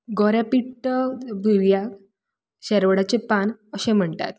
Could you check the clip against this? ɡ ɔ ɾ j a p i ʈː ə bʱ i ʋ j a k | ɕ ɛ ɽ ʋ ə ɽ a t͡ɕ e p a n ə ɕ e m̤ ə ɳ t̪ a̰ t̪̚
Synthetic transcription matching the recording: ɡ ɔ ɾ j a p i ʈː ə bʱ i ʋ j a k | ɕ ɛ ɾ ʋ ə ɽ a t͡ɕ e p a n ə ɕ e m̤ ə ɳ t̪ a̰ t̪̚